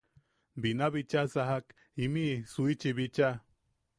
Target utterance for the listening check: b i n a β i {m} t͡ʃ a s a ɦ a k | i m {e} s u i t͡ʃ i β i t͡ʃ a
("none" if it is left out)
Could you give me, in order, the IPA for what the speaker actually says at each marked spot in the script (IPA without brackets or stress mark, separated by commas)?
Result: none, i